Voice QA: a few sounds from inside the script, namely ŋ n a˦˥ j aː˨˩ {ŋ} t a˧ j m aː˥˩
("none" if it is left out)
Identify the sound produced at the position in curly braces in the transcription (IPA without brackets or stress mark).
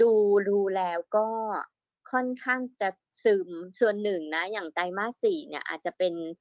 ŋ